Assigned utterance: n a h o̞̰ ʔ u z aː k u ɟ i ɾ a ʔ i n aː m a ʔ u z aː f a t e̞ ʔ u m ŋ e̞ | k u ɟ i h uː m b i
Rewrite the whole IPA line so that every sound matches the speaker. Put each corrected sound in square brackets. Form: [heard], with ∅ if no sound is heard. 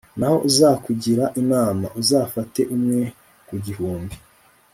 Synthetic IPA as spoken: n a h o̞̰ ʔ u z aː k u ɟ i ɾ a ʔ i n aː m a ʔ u z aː f a t e̞ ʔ u m ŋ e̞ | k u ɟ i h uː m b i